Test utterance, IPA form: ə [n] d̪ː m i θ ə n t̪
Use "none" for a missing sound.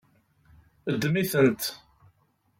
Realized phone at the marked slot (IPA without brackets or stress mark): none